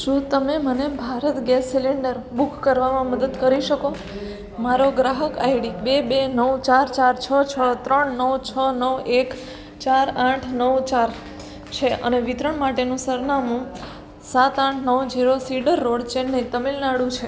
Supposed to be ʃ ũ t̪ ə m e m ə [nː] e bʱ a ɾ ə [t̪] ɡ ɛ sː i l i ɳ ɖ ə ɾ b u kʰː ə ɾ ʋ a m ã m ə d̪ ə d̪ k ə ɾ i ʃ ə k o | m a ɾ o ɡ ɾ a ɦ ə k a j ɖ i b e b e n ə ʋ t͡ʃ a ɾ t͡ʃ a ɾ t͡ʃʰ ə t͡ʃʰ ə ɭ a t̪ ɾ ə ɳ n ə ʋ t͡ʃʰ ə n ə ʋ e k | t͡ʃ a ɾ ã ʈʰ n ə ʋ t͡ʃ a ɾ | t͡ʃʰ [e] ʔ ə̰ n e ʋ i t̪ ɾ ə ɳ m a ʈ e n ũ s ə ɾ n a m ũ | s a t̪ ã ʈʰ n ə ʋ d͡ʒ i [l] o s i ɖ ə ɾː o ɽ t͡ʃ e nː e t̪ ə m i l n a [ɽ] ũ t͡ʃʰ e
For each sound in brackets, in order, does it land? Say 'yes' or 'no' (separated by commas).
no, yes, yes, no, yes